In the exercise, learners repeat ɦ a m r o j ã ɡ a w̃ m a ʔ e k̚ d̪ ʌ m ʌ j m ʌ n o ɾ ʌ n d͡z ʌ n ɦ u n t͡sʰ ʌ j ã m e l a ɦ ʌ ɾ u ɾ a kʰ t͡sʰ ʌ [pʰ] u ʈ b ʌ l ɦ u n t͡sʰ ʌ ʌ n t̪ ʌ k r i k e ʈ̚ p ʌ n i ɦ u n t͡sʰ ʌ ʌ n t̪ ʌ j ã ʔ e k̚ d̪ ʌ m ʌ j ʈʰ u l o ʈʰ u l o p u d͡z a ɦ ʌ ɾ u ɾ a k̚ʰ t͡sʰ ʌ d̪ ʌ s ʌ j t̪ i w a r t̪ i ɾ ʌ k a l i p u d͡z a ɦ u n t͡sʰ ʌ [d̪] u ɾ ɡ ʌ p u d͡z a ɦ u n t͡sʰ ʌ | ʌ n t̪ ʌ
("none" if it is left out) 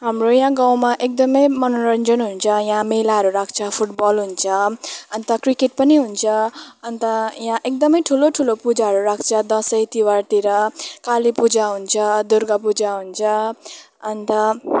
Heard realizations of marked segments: pʰ, d̪

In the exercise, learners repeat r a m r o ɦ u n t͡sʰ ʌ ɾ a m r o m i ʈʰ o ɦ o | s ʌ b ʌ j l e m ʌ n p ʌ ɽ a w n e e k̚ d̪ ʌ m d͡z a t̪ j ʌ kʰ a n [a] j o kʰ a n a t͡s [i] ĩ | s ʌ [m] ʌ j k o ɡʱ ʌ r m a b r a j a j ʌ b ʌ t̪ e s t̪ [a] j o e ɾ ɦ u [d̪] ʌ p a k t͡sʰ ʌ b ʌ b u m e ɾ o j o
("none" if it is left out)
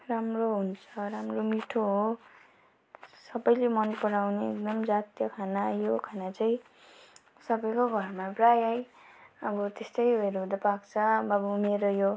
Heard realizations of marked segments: a, a, b, ʌ, d̪

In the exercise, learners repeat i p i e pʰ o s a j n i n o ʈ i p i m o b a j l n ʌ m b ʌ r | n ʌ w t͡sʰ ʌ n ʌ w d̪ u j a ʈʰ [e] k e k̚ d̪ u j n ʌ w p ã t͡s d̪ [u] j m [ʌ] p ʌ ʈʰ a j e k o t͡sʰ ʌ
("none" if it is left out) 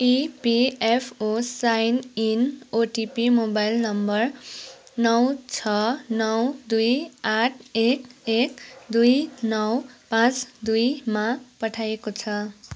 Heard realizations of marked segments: e, u, a

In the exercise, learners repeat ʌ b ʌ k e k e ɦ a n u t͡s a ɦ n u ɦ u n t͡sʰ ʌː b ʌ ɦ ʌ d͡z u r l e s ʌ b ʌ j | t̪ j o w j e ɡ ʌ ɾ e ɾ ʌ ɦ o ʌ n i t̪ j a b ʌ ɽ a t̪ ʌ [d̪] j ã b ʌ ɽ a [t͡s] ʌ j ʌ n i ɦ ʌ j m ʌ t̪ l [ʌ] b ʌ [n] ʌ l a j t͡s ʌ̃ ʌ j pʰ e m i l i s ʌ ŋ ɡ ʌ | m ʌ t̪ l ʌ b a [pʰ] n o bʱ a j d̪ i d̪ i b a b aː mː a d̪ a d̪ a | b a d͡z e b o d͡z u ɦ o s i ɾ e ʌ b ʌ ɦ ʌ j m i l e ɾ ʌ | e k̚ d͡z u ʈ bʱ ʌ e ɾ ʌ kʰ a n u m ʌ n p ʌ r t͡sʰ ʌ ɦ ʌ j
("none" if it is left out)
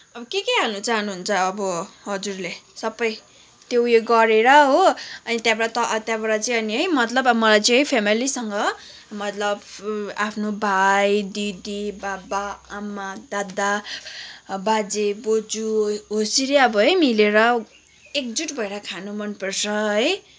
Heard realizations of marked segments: t̪, t͡s, ʌ, m, pʰ

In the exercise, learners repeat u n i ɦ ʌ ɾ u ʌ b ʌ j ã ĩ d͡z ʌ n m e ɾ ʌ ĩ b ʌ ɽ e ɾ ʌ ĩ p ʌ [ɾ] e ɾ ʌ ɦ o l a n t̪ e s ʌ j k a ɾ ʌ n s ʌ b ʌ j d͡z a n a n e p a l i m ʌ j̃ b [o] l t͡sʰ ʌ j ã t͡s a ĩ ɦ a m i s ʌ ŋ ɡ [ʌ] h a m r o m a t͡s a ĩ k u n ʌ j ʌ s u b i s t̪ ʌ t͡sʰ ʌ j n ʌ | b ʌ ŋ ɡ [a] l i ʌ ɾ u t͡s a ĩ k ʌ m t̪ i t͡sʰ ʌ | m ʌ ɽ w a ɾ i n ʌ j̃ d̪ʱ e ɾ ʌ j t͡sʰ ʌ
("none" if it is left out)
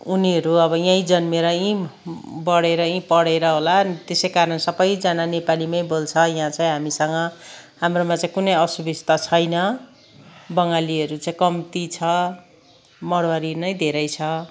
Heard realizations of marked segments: ɽ, o, ʌ, a

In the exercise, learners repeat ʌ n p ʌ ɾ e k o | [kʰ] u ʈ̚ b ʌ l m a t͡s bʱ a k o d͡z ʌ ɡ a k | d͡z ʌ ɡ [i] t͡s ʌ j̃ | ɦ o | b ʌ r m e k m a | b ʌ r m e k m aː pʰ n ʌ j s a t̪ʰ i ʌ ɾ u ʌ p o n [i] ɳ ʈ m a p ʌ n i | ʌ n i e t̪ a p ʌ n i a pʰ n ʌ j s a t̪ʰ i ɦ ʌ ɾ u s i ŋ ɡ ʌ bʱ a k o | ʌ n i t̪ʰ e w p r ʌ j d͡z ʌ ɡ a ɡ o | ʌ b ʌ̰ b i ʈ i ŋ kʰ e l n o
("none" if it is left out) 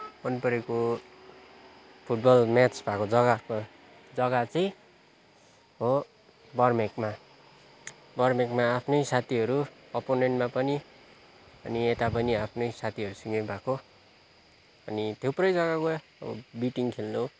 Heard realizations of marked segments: pʰ, a, e

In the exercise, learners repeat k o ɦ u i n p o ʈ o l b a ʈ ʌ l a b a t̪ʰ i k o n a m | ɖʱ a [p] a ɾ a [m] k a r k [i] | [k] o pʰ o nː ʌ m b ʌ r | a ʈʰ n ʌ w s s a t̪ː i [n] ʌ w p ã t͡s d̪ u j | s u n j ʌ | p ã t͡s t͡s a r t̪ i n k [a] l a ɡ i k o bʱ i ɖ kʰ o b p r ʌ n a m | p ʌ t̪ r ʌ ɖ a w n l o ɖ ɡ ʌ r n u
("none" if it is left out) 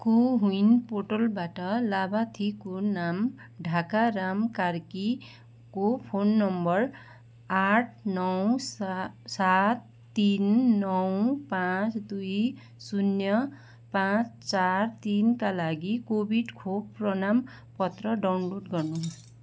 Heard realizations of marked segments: k, m, i, k, nː, a

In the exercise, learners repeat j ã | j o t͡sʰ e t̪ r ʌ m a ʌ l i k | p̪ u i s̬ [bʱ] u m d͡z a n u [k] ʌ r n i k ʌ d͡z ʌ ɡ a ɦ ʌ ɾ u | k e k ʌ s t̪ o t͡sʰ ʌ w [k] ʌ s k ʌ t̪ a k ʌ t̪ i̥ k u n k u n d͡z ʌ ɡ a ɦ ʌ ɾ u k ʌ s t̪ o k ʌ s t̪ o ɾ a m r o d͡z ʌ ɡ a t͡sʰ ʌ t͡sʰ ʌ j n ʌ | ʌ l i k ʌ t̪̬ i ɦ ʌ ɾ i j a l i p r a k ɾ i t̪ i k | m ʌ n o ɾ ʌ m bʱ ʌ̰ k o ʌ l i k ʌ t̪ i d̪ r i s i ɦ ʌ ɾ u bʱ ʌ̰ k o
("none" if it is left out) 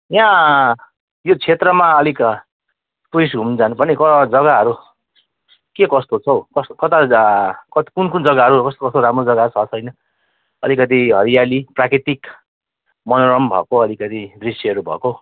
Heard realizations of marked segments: ɡʱ, p, k

